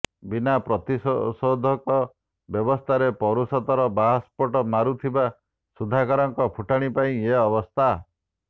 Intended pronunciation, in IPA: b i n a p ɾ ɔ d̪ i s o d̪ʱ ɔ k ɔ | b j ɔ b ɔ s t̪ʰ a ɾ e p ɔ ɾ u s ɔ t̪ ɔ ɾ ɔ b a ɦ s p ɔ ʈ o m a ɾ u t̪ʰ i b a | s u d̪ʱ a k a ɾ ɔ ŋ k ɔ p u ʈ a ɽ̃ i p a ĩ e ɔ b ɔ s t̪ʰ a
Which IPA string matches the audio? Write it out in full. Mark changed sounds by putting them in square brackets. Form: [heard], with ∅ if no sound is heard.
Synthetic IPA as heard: b i n a p ɾ ɔ [t̪] i s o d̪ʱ ɔ k ɔ | b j ɔ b ɔ s t̪ʰ a ɾ e p ɔ ɾ u s ɔ t̪ ɔ ɾ ɔ b a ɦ s p ɔ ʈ [ɔ] m a ɾ u t̪ʰ i b a | s u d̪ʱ a k a ɾ ɔ ŋ k ɔ [pʰ] u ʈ a ɽ̃ i p a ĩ e ɔ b ɔ s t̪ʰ a